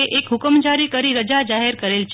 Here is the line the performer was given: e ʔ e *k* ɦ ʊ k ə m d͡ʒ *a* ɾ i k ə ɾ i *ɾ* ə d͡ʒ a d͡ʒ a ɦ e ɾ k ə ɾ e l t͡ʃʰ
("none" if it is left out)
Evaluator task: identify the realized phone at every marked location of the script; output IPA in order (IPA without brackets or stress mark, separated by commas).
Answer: k, a, ɾ